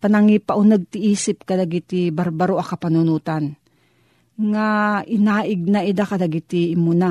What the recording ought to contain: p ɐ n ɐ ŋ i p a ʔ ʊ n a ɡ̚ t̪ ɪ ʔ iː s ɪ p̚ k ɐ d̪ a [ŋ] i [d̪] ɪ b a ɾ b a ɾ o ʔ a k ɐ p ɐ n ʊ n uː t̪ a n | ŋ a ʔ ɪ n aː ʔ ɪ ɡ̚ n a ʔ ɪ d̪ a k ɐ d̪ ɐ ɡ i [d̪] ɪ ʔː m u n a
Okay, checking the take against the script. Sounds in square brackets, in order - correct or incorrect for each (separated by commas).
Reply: incorrect, incorrect, incorrect